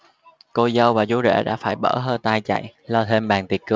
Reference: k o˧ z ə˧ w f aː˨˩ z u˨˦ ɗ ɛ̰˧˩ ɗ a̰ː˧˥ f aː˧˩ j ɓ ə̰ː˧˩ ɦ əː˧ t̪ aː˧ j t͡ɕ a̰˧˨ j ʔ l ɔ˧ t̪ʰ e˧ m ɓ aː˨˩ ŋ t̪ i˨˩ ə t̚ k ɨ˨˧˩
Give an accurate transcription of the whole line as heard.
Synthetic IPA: k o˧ z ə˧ w v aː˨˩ z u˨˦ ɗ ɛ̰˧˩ ɗ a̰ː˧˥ f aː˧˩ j ɓ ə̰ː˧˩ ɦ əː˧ t̪ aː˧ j t͡ɕ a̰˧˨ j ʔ l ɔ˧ t̪ʰ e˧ m ɓ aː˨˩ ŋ t̪ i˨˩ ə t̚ k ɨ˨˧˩